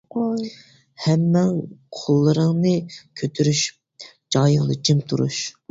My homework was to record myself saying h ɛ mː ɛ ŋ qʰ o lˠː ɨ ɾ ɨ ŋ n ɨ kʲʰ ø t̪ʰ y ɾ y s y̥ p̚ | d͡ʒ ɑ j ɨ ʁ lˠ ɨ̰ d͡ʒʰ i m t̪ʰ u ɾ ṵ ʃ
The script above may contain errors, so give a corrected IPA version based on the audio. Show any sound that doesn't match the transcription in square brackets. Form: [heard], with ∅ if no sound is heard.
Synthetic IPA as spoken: h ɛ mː ɛ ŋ qʰ o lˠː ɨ ɾ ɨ ŋ n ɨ kʲʰ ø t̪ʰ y ɾ y [ʃ] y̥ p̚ | d͡ʒ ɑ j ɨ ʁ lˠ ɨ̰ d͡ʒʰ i m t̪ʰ u ɾ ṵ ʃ